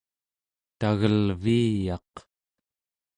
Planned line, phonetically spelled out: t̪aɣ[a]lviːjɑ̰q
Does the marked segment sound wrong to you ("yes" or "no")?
yes